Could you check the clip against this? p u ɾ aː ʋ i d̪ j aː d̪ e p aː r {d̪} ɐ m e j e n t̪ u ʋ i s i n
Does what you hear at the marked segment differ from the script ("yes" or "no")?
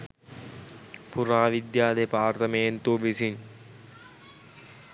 yes